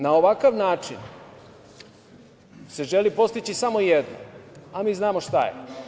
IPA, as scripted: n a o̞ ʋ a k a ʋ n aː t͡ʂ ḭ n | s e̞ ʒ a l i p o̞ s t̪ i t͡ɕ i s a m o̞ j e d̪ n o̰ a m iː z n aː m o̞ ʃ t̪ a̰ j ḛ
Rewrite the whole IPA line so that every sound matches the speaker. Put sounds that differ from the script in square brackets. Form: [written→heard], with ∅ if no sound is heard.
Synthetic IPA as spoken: n a o̞ ʋ a k a ʋ n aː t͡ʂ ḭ n | s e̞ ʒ [a→e] l i p o̞ s t̪ i t͡ɕ i s a m o̞ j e d̪ n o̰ a m iː z n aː m o̞ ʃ t̪ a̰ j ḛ